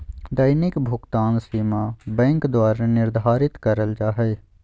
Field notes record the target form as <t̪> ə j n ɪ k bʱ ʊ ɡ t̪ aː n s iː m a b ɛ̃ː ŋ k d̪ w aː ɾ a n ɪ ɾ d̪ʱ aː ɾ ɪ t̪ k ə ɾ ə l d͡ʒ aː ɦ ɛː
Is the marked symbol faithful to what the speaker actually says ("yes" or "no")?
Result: no